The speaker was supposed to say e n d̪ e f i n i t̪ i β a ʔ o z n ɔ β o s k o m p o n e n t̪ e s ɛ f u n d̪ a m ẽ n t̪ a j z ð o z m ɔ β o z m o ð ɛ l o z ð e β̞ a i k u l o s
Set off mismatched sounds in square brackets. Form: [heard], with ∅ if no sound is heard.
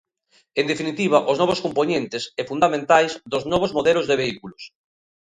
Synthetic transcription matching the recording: e n d̪ e f i n i t̪ i β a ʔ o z n ɔ β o s k o m p o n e n t̪ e s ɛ f u n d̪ a m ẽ n t̪ a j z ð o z [n] ɔ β o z m o ð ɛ l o z ð e β̞ [e] i k u l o s

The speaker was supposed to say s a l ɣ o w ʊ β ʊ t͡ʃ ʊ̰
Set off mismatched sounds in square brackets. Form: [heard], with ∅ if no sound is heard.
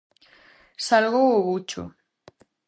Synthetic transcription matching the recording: s a l ɣ o w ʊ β [u] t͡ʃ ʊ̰

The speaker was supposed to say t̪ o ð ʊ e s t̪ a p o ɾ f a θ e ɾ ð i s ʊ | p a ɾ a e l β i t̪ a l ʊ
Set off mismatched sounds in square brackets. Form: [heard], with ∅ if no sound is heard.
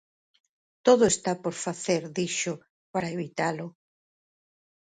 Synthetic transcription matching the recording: t̪ o ð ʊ e s t̪ a p o ɾ f a θ e ɾ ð i [ʃ] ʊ | p a ɾ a e [∅] β i t̪ a l ʊ

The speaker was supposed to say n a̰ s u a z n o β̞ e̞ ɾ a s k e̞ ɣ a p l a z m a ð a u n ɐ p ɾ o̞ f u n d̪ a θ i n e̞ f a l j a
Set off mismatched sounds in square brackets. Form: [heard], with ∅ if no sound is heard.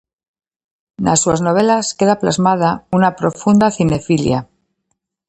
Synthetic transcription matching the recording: n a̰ s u a z n o β̞ e̞ [l] a s k e̞ [ð] a p l a z m a ð a u n [a] p ɾ o̞ f u n d̪ a θ i n e̞ f [i] l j a

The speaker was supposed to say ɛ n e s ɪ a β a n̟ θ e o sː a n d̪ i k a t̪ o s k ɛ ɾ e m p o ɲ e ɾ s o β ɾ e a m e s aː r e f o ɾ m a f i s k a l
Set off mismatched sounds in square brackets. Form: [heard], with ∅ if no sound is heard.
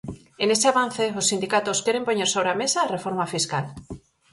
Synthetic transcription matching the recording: [e] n e s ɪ a β a n̟ θ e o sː [i] n d̪ i k a t̪ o s k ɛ ɾ e m p o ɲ e ɾ s o β ɾ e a m e s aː r e f o ɾ m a f i s k a l

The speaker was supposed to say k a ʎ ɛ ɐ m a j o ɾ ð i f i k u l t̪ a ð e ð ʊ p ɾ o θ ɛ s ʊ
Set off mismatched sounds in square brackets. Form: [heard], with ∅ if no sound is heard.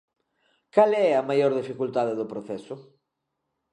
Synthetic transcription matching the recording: k a [l] ɛ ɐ m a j o ɾ ð i f i k u l t̪ a ð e ð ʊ p ɾ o θ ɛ s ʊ

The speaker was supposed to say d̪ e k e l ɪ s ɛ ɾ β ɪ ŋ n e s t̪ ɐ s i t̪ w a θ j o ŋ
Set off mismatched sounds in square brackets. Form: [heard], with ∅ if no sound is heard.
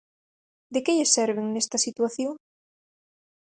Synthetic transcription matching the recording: d̪ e k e [ʎ] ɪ s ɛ ɾ β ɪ ŋ n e s t̪ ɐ s i t̪ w a θ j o ŋ

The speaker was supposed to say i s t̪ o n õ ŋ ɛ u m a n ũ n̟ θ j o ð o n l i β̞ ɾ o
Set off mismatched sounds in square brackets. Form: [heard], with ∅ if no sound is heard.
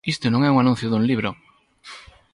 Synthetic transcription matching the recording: i s t̪ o n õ ŋ ɛ u [ŋ] a n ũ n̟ θ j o ð [u] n l i β̞ ɾ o

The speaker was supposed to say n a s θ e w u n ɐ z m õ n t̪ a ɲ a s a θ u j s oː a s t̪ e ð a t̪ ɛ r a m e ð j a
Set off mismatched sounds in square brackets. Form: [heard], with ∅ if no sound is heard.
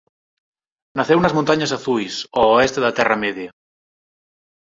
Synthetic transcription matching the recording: n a [∅] θ e w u n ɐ z m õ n t̪ a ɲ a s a θ u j s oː [e] s t̪ e ð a t̪ ɛ r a m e ð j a

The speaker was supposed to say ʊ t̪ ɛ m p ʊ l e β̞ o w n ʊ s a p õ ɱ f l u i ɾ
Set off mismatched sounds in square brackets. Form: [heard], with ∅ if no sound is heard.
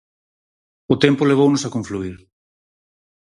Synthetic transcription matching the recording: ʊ t̪ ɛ m p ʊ l e β̞ o w n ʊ s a [k] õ ɱ f l u i ɾ

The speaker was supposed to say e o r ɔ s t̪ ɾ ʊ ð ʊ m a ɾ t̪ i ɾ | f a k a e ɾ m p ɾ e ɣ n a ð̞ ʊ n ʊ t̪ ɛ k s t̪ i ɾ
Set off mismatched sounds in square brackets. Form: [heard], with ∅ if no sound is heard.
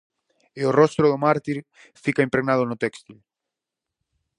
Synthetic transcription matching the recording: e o r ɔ s t̪ ɾ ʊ ð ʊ m a ɾ t̪ i ɾ | f [i] k a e [∅] m p ɾ e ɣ n a ð̞ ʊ n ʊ t̪ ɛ k s t̪ i [l]

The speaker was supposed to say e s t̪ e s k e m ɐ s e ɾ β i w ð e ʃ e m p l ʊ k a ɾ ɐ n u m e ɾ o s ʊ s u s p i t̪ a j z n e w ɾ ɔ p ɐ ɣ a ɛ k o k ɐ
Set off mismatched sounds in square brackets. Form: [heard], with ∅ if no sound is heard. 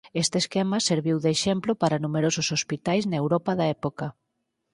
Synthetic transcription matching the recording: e s t̪ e s k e m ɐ s e ɾ β i w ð e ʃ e m p l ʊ [p] a ɾ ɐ n u m e ɾ o s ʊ s [o] s p i t̪ a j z n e w ɾ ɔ p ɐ [ð] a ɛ [p] o k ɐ

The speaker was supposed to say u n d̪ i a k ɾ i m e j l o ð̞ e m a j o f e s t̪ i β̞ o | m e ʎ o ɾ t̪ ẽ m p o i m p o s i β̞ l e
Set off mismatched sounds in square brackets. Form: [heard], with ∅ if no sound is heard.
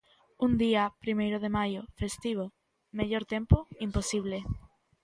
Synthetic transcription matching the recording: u n d̪ i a [p] ɾ i m e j [ɾ] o ð̞ e m a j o f e s t̪ i β̞ o | m e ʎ o ɾ t̪ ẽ m p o i m p o s i β̞ l e

